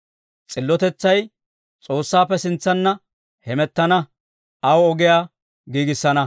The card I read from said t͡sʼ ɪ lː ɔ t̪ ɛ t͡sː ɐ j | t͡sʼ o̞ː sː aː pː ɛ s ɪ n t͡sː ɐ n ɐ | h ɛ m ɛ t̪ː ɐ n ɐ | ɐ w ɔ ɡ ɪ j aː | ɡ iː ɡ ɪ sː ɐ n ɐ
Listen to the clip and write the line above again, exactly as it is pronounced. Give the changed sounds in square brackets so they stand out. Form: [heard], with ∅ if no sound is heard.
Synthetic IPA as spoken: t͡sʼ ɪ lː ɔ t̪ ɛ t͡sː ɐ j | t͡sʼ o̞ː sː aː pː ɛ s ɪ n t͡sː ɐ [nː] ɐ | h ɛ m ɛ t̪ː ɐ n ɐ | ɐ w ɔ ɡ ɪ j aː | ɡ iː ɡ ɪ sː ɐ n ɐ